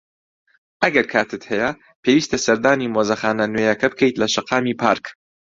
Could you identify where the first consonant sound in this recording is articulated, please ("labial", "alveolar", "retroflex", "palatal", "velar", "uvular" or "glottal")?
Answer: glottal